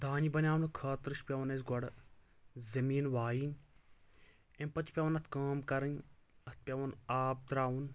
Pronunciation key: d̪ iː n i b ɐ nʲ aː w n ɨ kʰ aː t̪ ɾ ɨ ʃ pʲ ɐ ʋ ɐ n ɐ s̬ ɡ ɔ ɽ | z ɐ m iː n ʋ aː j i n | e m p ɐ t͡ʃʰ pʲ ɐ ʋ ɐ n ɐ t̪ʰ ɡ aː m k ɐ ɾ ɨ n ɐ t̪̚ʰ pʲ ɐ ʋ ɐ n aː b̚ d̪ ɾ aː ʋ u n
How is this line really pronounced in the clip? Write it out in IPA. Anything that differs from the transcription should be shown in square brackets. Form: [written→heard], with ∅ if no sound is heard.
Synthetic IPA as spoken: d̪ [iː→aː] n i b ɐ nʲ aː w n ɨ kʰ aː t̪ ɾ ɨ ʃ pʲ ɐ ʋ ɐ n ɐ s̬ ɡ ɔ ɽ | z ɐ m iː n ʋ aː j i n | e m p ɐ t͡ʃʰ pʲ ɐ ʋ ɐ n ɐ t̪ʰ [ɡ→k] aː m k ɐ ɾ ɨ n ɐ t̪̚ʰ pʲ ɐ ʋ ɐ n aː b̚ d̪ ɾ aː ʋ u n